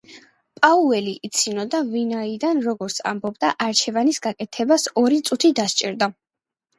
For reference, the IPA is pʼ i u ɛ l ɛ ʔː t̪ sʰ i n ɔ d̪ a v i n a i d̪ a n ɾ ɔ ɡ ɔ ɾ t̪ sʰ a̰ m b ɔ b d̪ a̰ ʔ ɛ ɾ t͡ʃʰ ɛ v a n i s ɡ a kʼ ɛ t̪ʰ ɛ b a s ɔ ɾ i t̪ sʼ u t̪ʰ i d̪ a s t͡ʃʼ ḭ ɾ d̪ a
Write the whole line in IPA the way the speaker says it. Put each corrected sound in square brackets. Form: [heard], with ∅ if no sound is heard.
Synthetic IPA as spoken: pʼ [a] u ɛ l [i] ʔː t̪ sʰ i n ɔ d̪ a v i n a i d̪ a n ɾ ɔ ɡ ɔ ɾ t̪ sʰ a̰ m b ɔ b d̪ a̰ ʔ [a] ɾ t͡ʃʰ ɛ v a n i s ɡ a kʼ ɛ t̪ʰ ɛ b a s ɔ ɾ i t̪ sʼ u t̪ʰ i d̪ a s t͡ʃʼ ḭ ɾ d̪ a